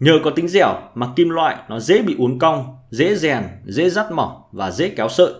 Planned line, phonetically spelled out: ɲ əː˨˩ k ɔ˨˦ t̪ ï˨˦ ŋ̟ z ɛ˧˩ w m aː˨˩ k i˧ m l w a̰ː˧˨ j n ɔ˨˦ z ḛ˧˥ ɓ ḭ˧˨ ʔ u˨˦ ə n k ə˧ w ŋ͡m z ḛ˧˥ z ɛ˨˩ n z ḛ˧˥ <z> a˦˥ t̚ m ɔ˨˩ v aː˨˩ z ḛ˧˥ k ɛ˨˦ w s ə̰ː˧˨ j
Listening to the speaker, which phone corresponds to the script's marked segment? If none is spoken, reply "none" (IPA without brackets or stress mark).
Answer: z